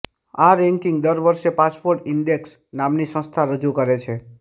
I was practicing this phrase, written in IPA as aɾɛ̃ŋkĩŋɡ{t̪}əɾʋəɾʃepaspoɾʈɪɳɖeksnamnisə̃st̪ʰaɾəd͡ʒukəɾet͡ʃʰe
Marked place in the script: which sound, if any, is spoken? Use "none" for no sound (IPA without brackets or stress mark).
d̪